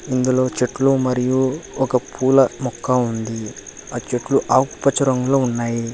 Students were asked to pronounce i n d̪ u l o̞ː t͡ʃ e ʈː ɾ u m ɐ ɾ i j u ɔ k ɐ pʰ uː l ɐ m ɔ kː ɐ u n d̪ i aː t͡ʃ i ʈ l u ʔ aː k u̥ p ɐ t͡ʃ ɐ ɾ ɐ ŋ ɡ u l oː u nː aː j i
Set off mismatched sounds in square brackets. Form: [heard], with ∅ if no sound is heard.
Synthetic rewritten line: i n d̪ u l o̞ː t͡ʃ e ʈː [l] u m ɐ ɾ i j u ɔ k ɐ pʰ uː l ɐ m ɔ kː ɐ u n d̪ i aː t͡ʃ [e] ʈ l u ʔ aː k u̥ p ɐ t͡ʃ ɐ ɾ ɐ ŋ ɡ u l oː u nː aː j i